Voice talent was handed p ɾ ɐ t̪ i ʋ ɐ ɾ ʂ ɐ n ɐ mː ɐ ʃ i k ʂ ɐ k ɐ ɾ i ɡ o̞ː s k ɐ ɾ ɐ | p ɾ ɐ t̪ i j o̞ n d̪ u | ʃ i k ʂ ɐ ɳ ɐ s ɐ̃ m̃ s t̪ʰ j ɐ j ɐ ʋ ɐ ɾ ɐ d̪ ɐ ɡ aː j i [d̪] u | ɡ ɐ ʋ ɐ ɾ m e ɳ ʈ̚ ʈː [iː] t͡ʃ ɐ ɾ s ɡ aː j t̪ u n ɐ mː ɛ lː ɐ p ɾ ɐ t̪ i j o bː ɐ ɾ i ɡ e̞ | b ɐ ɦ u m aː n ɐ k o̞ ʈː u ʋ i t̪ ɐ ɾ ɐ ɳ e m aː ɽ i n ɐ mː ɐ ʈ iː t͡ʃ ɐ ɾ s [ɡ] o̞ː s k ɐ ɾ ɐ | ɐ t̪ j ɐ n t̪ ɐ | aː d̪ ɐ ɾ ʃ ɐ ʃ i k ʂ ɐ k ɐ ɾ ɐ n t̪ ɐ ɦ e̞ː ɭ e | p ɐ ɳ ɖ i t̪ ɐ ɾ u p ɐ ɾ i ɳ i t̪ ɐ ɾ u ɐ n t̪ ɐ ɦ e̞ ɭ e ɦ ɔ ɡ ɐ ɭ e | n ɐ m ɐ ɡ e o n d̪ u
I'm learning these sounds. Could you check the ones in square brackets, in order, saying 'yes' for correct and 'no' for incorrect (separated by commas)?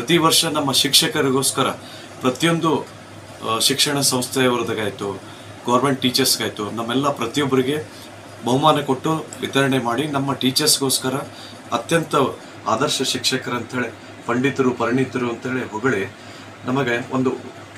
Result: no, yes, yes